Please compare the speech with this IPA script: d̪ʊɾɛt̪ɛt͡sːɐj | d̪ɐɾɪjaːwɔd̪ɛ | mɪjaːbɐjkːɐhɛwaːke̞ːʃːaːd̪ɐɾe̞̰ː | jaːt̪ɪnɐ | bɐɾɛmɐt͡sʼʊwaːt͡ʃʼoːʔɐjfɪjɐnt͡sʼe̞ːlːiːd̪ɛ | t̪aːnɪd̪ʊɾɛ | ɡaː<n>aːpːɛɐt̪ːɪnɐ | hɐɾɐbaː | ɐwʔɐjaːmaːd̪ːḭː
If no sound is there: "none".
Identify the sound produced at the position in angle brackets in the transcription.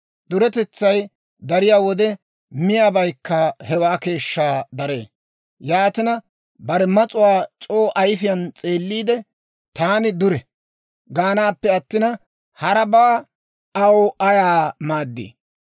n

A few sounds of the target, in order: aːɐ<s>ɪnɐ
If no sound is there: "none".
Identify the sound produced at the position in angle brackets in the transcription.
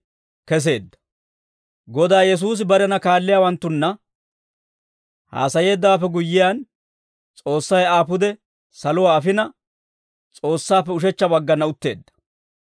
f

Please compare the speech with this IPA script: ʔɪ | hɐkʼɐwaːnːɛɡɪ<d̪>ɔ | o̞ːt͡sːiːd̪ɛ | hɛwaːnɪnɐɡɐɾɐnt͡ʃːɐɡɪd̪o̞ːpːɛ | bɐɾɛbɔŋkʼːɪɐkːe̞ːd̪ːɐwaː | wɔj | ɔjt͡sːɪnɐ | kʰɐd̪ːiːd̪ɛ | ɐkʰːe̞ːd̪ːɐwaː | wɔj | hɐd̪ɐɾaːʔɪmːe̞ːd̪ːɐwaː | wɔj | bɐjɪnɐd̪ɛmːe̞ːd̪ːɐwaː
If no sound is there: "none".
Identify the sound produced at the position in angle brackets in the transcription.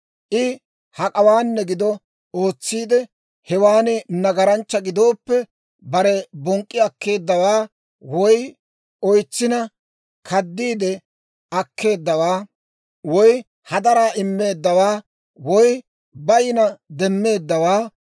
d̪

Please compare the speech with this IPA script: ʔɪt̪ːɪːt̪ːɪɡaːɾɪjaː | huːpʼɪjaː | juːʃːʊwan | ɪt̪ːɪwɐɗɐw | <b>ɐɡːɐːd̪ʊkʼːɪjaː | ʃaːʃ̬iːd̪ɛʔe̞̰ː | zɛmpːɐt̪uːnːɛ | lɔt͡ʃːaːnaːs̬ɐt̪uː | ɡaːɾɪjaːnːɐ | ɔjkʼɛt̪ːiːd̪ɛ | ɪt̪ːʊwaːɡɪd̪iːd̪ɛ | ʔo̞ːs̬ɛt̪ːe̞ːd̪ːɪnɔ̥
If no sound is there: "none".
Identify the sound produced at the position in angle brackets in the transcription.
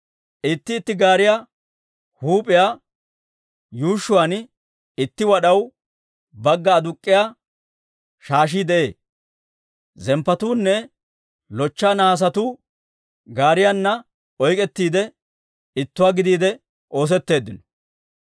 b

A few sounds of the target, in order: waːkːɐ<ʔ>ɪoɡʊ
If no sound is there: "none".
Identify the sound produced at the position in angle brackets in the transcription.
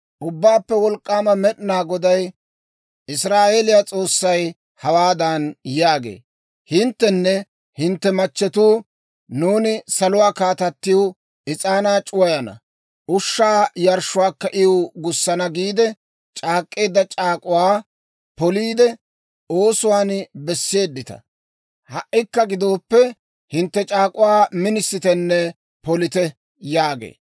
ʔ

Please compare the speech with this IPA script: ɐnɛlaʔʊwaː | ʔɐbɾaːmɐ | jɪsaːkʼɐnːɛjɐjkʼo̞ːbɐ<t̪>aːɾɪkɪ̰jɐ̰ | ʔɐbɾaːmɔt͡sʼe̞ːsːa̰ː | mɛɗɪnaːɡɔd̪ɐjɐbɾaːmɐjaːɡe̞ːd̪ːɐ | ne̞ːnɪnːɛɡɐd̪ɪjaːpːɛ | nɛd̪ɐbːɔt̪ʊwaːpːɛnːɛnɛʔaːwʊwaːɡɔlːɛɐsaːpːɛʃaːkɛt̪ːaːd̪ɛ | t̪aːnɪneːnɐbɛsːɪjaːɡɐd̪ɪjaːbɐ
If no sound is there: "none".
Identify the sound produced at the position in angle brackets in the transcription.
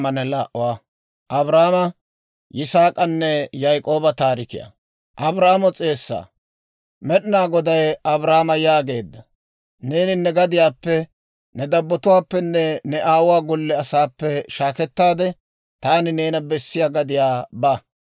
t̪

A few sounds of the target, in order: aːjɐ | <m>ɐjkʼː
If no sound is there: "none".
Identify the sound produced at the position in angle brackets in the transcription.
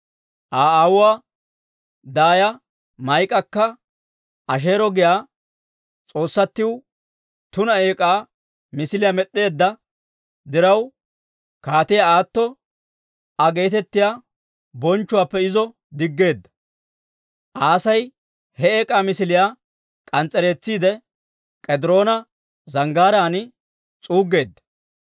m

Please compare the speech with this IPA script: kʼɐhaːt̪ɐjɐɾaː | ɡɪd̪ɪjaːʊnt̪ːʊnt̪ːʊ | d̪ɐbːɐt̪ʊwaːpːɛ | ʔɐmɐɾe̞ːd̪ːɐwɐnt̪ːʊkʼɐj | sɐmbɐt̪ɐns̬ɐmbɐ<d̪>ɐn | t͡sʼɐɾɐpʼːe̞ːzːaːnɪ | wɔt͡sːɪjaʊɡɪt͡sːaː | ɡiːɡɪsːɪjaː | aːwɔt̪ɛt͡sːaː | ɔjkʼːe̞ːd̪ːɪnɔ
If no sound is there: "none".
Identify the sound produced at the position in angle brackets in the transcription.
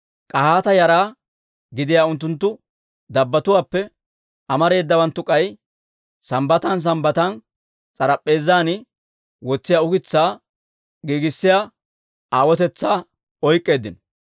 t̪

